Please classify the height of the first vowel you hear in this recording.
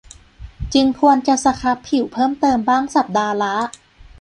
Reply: high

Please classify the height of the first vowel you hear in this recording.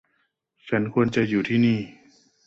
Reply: low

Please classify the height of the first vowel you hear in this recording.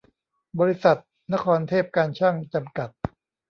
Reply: mid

